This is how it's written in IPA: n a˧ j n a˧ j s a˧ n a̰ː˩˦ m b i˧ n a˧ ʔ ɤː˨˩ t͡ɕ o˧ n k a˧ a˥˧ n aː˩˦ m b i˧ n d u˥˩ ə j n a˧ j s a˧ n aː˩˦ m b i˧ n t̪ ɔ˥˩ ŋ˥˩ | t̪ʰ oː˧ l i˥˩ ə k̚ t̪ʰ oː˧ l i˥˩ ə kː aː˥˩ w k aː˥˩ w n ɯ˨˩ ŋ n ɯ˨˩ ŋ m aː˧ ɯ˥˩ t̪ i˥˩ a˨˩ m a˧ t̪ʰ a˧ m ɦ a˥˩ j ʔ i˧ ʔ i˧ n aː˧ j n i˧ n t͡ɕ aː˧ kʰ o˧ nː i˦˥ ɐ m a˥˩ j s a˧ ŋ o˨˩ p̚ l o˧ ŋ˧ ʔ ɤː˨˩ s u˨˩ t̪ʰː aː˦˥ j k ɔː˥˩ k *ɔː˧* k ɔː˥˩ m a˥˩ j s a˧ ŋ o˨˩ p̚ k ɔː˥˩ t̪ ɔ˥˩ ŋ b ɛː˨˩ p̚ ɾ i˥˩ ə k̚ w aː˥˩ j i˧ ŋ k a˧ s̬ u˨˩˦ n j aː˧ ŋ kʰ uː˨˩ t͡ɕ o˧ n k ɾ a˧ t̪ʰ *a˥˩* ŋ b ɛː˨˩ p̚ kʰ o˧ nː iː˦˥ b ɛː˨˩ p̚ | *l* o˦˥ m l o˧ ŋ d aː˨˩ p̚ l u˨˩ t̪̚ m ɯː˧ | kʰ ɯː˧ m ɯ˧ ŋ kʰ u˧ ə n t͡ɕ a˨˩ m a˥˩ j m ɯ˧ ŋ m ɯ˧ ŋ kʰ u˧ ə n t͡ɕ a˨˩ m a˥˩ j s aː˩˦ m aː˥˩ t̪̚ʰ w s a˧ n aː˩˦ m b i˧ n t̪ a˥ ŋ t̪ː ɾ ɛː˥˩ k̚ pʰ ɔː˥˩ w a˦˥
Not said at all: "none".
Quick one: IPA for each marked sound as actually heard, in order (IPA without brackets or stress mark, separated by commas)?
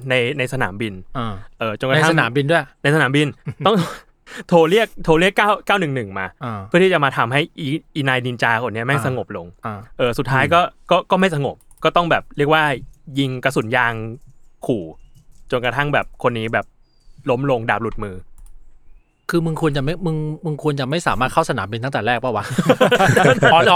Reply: ɔː˥˩, a˥˩, l